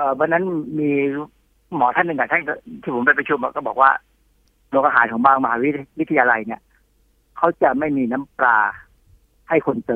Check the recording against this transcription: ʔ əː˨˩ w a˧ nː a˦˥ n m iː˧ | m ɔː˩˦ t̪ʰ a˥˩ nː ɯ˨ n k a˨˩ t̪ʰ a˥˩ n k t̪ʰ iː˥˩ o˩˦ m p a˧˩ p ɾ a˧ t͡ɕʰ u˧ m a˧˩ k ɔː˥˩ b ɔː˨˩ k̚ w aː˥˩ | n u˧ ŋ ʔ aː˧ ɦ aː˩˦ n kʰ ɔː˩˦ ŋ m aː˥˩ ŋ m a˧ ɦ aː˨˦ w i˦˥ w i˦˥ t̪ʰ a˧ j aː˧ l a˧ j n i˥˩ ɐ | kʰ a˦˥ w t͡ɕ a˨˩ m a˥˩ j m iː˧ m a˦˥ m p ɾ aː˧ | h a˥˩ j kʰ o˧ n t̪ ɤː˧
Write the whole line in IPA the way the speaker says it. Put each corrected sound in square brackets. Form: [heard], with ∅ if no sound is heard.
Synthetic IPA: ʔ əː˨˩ w a˧ nː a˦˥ n m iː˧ | m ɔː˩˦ t̪ʰ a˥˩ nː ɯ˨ [ŋ] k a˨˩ t̪ʰ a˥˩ n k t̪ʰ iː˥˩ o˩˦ m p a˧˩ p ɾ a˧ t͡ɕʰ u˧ m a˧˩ k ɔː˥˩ b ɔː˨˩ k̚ w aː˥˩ | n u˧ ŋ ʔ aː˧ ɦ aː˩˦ n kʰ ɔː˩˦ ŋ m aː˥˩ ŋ m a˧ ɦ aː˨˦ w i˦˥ w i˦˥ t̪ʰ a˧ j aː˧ l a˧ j n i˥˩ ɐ | kʰ a˦˥ w t͡ɕ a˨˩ m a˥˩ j m iː˧ [n] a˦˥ m p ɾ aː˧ | h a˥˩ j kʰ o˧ n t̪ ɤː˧